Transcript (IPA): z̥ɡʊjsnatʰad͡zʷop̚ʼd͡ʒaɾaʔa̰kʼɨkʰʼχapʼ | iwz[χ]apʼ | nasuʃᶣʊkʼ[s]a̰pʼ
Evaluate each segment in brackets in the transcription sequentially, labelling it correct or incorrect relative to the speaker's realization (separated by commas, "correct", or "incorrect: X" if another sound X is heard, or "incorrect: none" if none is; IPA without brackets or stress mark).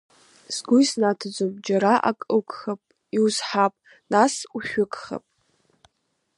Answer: incorrect: ħ, incorrect: χ